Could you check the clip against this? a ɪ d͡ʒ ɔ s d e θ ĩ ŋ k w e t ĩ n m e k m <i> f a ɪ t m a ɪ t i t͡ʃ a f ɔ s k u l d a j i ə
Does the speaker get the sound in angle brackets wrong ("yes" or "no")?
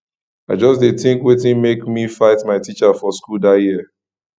no